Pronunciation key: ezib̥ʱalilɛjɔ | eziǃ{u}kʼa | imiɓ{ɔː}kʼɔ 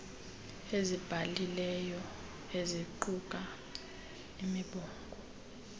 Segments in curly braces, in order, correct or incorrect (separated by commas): correct, correct